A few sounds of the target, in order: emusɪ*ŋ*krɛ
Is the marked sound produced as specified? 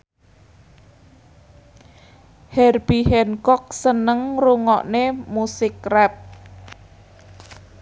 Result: no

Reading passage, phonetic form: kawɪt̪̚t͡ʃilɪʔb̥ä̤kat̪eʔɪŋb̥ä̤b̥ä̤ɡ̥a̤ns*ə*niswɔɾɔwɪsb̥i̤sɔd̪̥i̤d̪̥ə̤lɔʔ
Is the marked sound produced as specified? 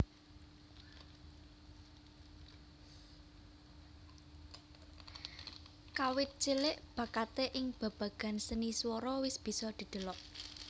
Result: yes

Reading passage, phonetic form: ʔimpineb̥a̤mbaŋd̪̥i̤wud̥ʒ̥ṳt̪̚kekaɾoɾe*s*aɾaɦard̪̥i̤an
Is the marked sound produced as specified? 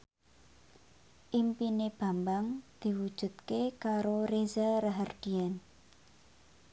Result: no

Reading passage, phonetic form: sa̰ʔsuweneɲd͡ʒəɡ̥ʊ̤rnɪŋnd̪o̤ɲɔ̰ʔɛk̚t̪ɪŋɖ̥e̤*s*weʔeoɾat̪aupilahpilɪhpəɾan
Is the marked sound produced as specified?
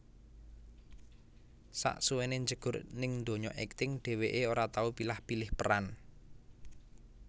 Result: no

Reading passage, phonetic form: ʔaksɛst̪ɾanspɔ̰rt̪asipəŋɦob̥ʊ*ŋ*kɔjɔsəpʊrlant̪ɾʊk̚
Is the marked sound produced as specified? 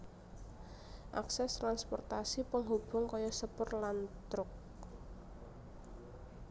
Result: yes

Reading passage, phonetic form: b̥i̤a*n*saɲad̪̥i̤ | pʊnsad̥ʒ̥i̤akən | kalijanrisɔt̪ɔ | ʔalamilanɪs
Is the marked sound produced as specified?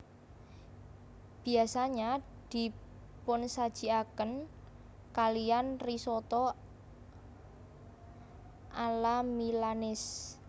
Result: no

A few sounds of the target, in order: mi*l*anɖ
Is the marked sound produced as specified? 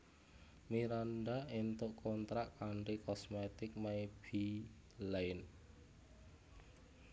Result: no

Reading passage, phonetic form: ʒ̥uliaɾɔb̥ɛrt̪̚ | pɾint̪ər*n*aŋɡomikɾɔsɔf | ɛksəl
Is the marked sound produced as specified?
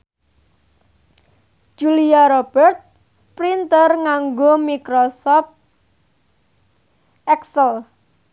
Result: no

